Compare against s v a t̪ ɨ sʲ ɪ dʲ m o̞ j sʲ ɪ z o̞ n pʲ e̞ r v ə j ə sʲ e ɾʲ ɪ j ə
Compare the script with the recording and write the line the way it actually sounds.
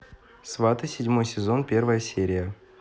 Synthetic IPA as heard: s v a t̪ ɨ sʲ ɪ dʲ m o̞ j sʲ ɪ z o̞ n pʲ e̞ r v ə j ə sʲ e ɾʲ ɪ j ə